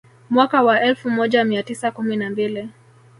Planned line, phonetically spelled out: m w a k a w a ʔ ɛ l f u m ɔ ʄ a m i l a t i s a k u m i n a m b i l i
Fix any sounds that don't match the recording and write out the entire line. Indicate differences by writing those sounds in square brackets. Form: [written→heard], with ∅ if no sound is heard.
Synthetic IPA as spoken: m w a k a w a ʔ ɛ l f u m ɔ ʄ a m i [l→∅] a t i s a k u m i n a m b i l i